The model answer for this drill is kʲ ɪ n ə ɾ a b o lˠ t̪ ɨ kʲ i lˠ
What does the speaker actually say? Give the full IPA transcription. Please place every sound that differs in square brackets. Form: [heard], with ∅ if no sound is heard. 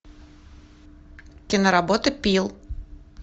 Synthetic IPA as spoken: kʲ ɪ n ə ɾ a b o [∅] t̪ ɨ [pʲ] i lˠ